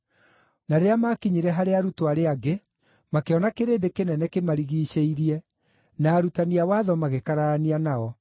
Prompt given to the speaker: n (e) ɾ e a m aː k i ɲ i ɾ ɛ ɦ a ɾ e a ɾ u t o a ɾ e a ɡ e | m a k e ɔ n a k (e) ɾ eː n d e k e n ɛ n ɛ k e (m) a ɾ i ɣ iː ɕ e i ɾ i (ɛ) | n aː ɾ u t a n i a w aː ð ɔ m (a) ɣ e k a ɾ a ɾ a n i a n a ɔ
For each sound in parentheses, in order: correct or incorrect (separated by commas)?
incorrect, correct, correct, correct, correct